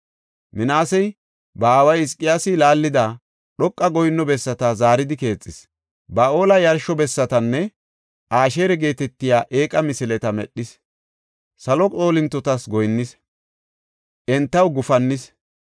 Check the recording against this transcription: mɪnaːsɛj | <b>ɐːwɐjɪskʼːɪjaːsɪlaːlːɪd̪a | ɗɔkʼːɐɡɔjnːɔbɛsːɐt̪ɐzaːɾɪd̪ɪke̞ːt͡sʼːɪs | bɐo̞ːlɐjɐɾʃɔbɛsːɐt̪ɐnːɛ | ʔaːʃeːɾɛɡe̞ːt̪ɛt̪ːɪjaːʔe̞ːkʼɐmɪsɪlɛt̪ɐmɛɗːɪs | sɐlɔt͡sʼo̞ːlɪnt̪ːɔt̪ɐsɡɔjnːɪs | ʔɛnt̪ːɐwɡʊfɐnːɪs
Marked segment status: correct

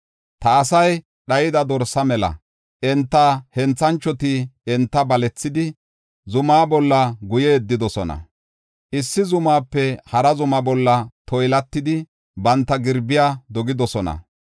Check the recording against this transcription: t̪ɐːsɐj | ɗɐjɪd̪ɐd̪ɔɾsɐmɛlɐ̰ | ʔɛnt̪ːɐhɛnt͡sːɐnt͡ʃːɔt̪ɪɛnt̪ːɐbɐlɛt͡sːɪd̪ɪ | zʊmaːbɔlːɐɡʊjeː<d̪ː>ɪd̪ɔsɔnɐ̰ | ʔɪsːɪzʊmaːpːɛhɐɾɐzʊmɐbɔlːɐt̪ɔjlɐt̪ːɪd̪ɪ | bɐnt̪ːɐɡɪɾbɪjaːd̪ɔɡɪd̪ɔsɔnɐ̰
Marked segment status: correct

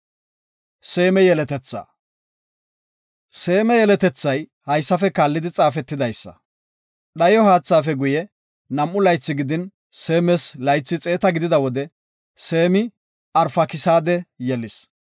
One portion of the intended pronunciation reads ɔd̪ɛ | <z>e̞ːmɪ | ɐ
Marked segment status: incorrect: s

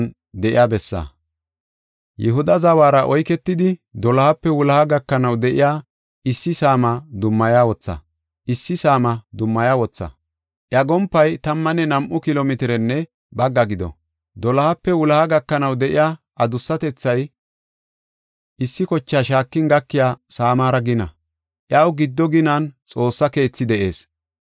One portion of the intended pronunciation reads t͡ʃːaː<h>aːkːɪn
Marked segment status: incorrect: ʃ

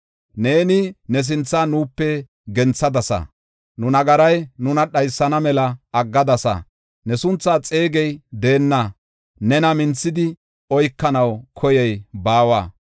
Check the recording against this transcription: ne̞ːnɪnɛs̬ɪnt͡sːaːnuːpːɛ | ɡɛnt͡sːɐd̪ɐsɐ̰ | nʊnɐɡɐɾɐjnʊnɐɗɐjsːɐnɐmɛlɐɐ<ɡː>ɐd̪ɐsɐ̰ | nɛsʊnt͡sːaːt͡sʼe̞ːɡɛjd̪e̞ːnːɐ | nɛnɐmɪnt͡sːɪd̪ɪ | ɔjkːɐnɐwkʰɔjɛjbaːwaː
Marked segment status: correct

